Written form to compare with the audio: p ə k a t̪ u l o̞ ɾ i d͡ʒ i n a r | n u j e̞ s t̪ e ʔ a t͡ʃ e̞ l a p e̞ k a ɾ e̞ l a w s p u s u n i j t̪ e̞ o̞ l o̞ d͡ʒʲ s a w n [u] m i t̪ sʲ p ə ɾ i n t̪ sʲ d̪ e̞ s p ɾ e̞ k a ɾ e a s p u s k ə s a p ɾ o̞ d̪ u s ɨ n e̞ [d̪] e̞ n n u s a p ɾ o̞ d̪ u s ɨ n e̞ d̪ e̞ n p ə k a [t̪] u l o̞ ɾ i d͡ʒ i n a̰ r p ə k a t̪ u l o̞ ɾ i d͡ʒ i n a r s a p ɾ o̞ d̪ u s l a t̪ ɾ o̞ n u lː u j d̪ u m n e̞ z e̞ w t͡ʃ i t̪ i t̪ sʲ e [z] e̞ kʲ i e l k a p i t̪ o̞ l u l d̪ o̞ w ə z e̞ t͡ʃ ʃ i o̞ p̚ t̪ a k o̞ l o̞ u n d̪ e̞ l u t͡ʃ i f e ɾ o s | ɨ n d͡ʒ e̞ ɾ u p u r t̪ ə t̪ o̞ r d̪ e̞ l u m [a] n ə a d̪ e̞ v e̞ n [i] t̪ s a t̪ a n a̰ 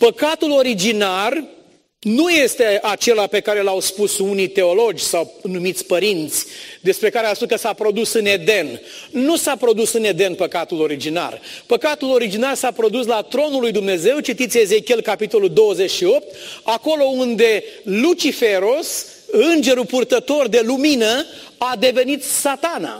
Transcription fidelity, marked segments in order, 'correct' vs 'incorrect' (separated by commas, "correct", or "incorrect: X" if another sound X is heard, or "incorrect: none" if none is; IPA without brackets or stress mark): correct, correct, correct, correct, incorrect: i, correct